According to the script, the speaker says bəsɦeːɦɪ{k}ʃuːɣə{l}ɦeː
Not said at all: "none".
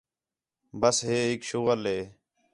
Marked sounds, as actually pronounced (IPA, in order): k, l

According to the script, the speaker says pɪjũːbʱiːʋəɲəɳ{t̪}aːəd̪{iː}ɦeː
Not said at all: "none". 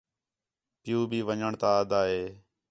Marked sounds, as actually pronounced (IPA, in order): t̪, aː

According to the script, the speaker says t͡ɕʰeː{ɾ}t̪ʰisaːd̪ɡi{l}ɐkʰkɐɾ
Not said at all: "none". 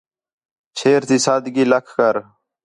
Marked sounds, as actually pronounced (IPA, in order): ɾ, l

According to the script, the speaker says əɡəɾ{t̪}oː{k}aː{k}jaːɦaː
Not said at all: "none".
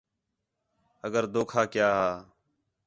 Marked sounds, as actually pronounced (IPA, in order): d̪, kʰ, k

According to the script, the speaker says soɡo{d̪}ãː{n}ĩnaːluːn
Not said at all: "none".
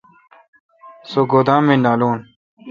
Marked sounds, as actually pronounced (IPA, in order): d̪, m

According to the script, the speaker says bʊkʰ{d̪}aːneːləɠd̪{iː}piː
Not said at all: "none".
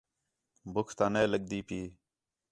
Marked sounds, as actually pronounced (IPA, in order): t̪, iː

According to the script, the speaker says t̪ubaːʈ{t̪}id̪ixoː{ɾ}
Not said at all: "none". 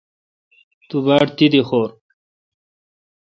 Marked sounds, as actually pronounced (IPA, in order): t̪, ɾ

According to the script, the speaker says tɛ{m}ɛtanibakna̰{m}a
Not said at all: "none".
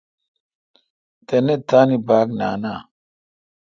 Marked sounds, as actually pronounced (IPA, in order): n, n

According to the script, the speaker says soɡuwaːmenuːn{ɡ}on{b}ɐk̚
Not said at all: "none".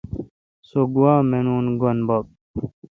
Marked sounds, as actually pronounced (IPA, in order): ɡ, b

